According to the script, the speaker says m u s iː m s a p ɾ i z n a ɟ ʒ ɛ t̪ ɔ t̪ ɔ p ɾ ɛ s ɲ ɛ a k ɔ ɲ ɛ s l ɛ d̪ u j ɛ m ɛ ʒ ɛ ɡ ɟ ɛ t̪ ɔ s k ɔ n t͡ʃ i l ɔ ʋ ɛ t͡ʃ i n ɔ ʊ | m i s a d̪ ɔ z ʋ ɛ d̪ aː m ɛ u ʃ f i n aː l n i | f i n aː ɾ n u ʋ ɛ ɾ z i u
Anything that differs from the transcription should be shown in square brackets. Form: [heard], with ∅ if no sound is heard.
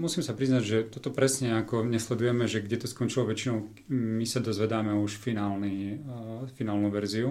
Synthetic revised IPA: m u s iː m s a p ɾ i z n a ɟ ʒ ɛ t̪ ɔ t̪ ɔ p ɾ ɛ s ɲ ɛ a k ɔ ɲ ɛ s l ɛ d̪ u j ɛ m ɛ ʒ ɛ ɡ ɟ ɛ t̪ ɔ s k ɔ n t͡ʃ i l ɔ ʋ ɛ t͡ʃ i n ɔ ʊ | m i s a d̪ ɔ z ʋ ɛ d̪ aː m ɛ u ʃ f i n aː l n i | f i n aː [l] n u ʋ ɛ ɾ z i u